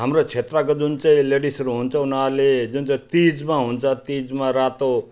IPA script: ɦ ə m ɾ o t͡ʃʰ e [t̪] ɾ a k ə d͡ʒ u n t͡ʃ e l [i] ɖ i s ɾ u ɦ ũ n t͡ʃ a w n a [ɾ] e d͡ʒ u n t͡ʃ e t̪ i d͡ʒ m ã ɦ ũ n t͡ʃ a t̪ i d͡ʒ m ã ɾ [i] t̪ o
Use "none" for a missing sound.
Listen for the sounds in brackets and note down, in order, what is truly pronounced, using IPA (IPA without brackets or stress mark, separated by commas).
t̪, e, l, a